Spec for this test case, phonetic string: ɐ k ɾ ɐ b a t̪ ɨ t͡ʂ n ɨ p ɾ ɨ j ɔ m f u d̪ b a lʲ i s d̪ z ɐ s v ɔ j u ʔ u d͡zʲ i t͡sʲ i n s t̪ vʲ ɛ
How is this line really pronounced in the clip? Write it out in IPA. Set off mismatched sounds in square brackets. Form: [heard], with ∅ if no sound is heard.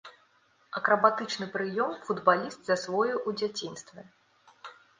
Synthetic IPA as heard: ɐ k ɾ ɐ b a t̪ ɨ t͡ʂ n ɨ p ɾ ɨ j ɔ m f u d̪ b a lʲ i s [t̪] z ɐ s v ɔ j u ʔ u d͡zʲ [a] t͡sʲ i n s t̪ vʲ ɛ